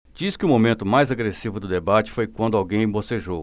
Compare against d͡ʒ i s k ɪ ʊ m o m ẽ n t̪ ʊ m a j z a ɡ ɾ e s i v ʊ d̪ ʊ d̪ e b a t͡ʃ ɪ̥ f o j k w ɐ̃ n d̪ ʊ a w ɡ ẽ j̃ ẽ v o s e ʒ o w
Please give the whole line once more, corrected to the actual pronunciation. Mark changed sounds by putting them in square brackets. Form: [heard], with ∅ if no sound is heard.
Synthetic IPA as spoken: d͡ʒ i s k ɪ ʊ m o m ẽ n t̪ ʊ m a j z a ɡ ɾ e s i v ʊ d̪ ʊ d̪ e b a t͡ʃ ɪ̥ f o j k w ɐ̃ n d̪ ʊ a w ɡ ẽ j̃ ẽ [b] o s e ʒ o w